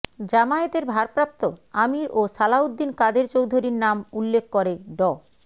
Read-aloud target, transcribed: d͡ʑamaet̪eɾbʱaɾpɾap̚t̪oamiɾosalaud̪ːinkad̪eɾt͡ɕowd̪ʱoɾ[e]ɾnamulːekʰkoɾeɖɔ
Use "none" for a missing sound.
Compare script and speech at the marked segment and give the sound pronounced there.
i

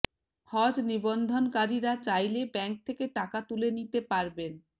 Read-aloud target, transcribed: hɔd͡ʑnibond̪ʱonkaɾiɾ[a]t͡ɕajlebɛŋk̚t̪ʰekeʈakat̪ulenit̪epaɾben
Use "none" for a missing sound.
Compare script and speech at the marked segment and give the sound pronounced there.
a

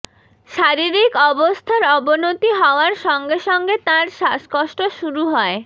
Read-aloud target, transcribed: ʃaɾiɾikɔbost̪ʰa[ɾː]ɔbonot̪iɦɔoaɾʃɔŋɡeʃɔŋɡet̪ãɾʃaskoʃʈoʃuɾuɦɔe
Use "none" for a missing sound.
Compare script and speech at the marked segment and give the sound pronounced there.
ɾ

